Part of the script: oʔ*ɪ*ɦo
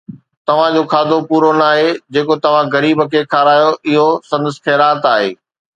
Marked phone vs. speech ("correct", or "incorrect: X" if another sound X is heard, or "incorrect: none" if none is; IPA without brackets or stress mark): correct